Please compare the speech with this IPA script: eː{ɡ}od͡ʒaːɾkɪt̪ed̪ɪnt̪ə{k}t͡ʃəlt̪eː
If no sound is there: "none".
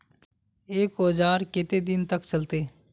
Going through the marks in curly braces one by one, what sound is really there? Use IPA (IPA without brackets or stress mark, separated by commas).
k, k